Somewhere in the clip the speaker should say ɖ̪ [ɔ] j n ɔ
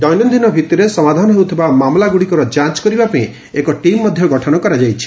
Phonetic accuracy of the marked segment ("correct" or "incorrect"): correct